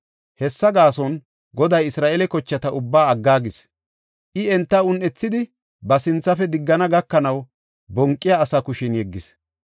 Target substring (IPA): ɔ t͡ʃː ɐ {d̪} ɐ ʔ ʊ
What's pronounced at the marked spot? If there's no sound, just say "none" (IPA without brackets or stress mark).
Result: t̪